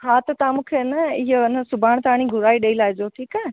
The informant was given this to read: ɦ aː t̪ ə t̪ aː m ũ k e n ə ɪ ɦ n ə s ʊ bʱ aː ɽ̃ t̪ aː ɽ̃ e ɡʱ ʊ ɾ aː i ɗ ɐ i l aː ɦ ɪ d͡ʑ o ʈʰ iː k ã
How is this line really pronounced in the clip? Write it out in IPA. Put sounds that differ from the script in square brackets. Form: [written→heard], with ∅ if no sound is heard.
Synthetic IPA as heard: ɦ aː t̪ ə t̪ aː m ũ [k→kʰ] e n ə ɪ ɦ n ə s ʊ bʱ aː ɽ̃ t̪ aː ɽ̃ [e→i] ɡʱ ʊ ɾ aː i ɗ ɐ i l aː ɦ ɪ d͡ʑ o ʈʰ iː k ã

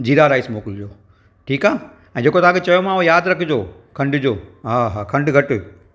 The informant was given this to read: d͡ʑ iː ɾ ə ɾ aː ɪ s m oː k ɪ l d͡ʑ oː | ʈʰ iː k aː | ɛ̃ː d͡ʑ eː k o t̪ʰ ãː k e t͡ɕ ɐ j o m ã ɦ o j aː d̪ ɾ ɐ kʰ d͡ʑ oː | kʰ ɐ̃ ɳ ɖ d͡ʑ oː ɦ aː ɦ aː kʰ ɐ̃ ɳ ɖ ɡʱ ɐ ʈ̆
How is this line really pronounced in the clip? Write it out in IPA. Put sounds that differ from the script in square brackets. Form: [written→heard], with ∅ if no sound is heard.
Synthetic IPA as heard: d͡ʑ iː ɾ [ə→a] ɾ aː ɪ s m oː k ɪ l d͡ʑ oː | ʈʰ iː k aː | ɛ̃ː d͡ʑ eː k o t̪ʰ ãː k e t͡ɕ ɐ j o m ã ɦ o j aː d̪ ɾ ɐ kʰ d͡ʑ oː | kʰ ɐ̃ ɳ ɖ d͡ʑ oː ɦ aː ɦ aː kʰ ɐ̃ ɳ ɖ ɡʱ ɐ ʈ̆

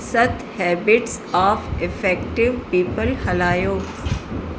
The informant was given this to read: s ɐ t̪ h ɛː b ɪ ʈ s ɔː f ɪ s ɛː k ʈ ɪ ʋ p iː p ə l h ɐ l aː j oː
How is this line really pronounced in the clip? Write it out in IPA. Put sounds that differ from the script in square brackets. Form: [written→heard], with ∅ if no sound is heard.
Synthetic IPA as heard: s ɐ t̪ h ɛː b ɪ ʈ s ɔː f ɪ [s→f] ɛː k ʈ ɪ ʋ p iː p ə l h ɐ l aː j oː

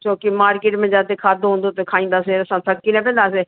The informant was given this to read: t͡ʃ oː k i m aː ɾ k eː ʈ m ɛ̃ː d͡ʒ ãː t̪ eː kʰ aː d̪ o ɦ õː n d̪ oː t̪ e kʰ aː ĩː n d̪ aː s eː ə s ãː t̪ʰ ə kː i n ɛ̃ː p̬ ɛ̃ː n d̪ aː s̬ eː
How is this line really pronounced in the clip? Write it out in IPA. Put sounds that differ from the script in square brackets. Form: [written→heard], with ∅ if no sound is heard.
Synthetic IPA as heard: t͡ʃ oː k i m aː ɾ k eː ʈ m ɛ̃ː d͡ʒ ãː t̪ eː kʰ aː d̪ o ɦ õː n d̪ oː t̪ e kʰ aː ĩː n d̪ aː s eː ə s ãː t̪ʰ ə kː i n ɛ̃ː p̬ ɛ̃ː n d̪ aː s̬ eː

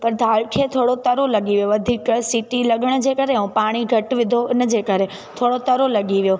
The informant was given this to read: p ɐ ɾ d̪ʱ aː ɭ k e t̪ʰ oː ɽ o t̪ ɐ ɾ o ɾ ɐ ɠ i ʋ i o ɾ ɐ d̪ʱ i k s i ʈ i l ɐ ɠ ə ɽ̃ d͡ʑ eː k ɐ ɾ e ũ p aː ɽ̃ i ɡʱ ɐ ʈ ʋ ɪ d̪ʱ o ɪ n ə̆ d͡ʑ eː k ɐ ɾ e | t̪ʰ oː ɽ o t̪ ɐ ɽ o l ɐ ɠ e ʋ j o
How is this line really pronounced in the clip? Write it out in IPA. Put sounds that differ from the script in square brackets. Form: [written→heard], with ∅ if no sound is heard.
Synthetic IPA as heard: p ɐ ɾ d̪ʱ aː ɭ [k→kʰ] e t̪ʰ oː ɽ o t̪ ɐ ɾ o [ɾ→l] ɐ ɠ i ʋ [i→j] o [ɾ→∅] ɐ d̪ʱ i k s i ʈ i l ɐ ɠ ə ɽ̃ d͡ʑ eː k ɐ ɾ e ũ p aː ɽ̃ i ɡʱ ɐ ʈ ʋ ɪ d̪ʱ o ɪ n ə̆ d͡ʑ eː k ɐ ɾ e | t̪ʰ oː ɽ o t̪ ɐ [ɽ→ɾ] o l ɐ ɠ [e→i] ʋ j o

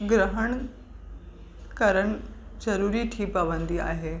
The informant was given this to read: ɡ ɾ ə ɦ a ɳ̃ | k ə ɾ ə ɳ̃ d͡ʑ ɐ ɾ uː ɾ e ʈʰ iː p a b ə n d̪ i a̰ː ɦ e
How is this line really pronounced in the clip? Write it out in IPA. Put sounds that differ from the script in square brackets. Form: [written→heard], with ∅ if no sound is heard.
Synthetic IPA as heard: ɡ ɾ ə ɦ [a→ə] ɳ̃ | k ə ɾ ə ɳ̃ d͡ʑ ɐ ɾ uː ɾ [e→i] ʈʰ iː p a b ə n d̪ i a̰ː ɦ e

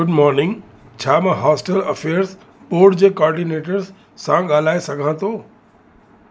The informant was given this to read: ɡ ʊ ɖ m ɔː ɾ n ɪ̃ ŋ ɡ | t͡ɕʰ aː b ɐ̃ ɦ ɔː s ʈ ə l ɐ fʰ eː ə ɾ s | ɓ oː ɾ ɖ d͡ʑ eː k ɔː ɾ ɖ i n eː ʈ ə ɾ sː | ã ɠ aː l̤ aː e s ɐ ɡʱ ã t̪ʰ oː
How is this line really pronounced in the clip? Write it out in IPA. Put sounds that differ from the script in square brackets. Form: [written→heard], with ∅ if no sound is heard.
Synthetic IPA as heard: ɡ ʊ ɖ m ɔː ɾ n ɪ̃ ŋ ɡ | t͡ɕʰ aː [b→m] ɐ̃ ɦ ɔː s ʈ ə l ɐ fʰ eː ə ɾ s | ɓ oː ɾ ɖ d͡ʑ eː k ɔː ɾ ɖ i n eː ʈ ə ɾ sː | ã ɠ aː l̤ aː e s ɐ ɡʱ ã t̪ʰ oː

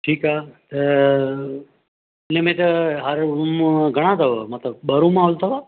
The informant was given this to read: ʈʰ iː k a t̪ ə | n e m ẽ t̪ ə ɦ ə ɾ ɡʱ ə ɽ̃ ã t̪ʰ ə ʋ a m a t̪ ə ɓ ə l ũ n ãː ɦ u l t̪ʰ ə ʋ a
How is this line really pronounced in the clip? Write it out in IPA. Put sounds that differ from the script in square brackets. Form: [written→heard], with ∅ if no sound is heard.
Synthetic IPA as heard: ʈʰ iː k a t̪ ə | n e m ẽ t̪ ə ɦ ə ɾ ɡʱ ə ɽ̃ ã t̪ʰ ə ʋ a m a t̪ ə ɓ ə [l→ɾ] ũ [n→m] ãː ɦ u l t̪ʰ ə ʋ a

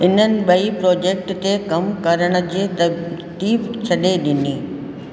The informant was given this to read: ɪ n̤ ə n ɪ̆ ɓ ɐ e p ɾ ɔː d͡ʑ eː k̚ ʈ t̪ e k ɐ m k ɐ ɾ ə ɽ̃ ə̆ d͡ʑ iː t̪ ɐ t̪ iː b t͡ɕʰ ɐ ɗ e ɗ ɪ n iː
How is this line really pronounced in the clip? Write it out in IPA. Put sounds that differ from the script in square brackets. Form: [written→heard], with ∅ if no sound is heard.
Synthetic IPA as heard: ɪ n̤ ə n ɪ̆ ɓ ɐ [e→i] p ɾ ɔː d͡ʑ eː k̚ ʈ t̪ e k ɐ m k ɐ ɾ ə ɽ̃ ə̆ d͡ʑ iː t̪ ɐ t̪ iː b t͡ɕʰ ɐ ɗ e ɗ ɪ n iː

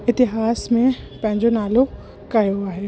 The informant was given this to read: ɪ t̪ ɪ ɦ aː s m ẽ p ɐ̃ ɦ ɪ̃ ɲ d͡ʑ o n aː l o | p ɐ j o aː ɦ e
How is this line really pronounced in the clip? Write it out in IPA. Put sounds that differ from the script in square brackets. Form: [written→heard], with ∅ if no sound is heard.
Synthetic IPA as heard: ɪ t̪ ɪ ɦ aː s m ẽ p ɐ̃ ɦ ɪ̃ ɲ d͡ʑ o n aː l o | [p→k] ɐ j o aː ɦ e

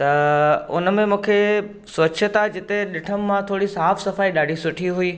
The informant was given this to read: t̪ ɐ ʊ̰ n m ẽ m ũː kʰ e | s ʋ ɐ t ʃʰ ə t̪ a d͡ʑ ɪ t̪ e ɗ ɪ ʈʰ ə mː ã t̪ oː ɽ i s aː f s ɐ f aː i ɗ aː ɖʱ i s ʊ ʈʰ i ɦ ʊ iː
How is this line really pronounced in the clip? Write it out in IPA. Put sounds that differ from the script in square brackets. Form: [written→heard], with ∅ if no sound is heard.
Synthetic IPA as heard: t̪ ɐ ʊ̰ n m ẽ m ũː kʰ e | s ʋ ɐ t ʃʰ ə t̪ a d͡ʑ ɪ t̪ e ɗ ɪ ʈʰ ə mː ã [t̪→t̪ʰ] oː ɽ i s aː f s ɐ f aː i ɗ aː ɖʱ i s ʊ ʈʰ i ɦ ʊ iː

